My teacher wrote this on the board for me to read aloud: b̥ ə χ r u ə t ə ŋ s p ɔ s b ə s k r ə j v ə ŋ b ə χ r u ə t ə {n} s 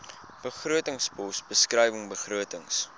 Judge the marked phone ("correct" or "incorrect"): incorrect